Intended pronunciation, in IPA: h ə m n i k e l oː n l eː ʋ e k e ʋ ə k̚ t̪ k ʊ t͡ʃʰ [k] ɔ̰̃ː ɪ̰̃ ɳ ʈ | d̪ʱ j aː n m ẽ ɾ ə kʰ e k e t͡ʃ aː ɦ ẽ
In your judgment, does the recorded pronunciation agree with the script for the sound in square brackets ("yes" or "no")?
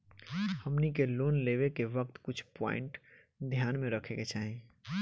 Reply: no